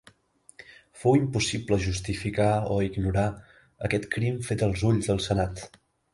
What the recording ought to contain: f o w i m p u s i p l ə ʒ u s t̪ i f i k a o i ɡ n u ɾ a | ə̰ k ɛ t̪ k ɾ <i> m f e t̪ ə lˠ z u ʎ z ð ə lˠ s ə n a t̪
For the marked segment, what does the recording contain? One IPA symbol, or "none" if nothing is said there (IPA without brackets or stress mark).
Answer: i